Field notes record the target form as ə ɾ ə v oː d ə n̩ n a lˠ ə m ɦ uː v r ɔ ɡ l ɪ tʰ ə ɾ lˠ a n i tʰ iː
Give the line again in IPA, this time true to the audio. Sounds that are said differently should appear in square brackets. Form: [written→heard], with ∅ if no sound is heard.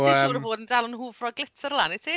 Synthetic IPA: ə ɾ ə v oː d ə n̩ [n→d] a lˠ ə [m→n] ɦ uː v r ɔ ɡ l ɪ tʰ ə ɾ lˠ a n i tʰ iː